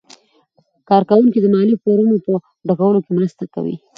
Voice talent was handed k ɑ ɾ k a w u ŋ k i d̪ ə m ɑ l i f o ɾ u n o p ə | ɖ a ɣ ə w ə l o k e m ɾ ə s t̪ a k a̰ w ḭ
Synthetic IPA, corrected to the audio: k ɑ ɾ k a w u ŋ k i d̪ ə m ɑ l i f o ɾ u n o p ə | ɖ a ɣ a w ə l o k e m ɾ ə s t̪ a k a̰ w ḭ